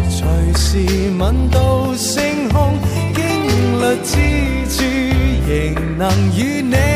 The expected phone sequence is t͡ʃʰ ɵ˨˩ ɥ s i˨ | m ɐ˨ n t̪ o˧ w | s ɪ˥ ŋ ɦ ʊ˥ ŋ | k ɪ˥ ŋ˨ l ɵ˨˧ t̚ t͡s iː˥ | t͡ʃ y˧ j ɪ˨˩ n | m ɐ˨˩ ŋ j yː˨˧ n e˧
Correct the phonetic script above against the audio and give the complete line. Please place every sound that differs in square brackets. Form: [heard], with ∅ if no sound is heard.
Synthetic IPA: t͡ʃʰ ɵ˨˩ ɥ s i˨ | m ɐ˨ n t̪ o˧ w | s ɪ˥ ŋ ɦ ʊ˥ ŋ | k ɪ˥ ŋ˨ l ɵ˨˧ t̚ t͡s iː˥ | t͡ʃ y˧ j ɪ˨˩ [ŋ] | [n] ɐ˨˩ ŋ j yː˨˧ n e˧